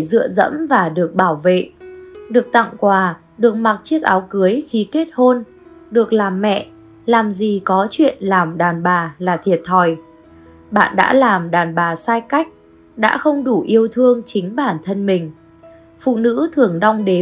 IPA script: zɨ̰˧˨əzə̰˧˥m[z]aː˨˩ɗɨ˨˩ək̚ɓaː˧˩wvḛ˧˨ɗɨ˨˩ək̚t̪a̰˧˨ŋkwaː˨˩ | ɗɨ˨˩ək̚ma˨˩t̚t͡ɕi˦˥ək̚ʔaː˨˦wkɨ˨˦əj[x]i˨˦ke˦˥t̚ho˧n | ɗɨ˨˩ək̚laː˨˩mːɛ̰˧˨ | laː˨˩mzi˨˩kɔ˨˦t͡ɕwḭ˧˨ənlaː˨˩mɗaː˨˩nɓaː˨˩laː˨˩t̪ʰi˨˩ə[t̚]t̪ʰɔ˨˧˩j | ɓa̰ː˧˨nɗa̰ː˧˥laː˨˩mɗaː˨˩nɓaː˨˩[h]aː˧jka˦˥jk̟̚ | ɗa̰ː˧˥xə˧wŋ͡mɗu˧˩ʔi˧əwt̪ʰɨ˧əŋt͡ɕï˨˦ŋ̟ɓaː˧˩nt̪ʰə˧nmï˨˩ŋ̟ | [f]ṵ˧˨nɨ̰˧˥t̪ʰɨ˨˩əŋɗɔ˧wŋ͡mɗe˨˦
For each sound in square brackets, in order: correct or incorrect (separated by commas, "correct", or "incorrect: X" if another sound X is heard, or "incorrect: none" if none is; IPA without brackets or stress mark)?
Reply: incorrect: v, correct, correct, incorrect: s, correct